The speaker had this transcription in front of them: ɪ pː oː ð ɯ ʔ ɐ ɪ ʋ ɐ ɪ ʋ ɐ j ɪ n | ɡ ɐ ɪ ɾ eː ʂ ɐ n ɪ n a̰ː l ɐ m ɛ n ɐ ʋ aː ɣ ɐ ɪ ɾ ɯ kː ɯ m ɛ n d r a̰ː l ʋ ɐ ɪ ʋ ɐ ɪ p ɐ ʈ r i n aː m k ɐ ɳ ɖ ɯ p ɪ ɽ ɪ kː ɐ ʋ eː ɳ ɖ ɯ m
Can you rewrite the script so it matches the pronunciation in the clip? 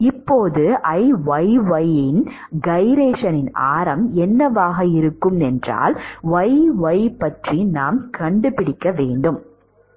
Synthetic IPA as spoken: ɪ pː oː ð ɯ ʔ ɐ ɪ ʋ ɐ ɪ ʋ ɐ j ɪ n | ɡ ɐ ɪ ɾ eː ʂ ɐ n ɪ n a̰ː ɾ ɐ m ɛ nː ɐ ʋ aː ɣ ɐ ɪ ɾ ɯ kː ɯ m ɛ n d r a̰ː l ʋ ɐ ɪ ʋ ɐ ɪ p ɐ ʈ r i n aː m k ɐ ɳ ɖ ɯ p ɪ ɽ ɪ kː ɐ ʋ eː ɳ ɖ ɯ m